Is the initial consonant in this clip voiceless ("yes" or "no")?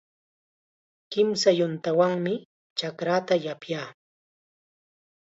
yes